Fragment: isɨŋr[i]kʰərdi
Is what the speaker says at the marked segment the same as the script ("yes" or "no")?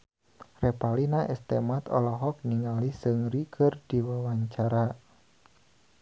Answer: yes